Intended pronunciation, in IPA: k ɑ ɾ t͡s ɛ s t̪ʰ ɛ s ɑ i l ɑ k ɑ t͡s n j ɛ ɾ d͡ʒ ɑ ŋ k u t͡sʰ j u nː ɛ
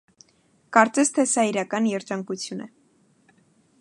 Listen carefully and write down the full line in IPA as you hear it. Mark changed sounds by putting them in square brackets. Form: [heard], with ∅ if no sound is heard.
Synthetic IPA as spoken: k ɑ ɾ t͡s ɛ s t̪ʰ ɛ s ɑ i [ɾ] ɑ k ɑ [∅] n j ɛ ɾ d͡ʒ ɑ ŋ k u t͡sʰ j u [n] ɛ